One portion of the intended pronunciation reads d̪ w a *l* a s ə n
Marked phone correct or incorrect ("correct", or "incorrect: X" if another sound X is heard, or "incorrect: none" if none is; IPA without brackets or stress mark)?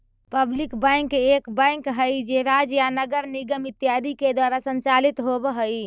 incorrect: ɾ